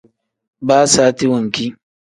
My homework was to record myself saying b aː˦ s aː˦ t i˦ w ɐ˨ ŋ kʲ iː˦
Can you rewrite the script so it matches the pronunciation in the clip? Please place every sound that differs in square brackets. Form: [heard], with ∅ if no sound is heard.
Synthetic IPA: b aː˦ s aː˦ t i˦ w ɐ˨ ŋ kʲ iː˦